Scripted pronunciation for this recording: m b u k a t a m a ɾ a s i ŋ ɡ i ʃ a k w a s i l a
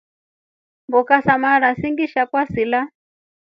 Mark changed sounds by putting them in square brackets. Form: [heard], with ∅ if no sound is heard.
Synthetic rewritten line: m b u k a [s] a m a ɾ a s i ŋ ɡ i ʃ a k w a s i l a